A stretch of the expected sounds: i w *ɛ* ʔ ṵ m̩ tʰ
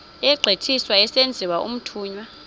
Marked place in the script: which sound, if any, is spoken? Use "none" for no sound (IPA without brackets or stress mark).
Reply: a